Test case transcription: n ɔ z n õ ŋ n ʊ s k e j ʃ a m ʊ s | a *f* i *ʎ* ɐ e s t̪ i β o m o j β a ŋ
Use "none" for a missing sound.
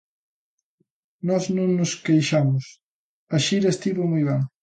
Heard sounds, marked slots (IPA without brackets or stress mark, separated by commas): ʃ, ɾ